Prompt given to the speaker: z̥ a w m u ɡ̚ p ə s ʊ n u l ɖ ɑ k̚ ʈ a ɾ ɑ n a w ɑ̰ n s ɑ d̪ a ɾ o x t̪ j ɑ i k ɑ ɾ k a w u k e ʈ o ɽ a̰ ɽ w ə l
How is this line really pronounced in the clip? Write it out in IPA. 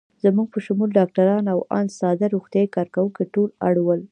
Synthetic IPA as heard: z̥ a m u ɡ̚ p ə ʃ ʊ m u l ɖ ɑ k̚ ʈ a ɾ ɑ n a w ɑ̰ n s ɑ d̪ a ɾ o x t̪ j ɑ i k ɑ ɾ k a w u k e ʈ o l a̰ ɽ w ə l